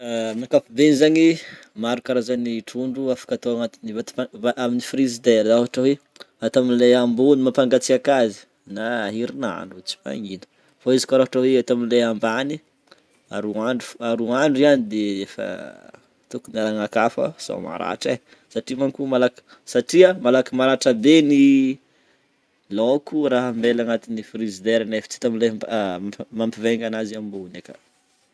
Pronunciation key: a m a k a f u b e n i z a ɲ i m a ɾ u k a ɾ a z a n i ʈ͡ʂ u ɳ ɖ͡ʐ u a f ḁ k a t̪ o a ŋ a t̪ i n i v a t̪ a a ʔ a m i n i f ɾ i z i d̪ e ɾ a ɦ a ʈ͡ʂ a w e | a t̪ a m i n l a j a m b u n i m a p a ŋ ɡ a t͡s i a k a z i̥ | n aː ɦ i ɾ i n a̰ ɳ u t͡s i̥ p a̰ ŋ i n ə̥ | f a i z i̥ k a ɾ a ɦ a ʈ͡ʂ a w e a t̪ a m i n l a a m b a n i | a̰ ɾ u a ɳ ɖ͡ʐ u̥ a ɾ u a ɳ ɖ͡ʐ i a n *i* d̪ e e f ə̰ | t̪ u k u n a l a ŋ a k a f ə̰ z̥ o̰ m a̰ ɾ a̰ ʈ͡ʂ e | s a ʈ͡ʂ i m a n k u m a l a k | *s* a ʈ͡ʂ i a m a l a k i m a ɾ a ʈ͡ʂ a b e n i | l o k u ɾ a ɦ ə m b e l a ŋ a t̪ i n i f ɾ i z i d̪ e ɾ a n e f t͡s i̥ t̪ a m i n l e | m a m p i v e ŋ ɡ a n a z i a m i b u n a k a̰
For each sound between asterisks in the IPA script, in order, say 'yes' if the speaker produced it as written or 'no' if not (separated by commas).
yes, yes